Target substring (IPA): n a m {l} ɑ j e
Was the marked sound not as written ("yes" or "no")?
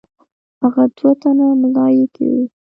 no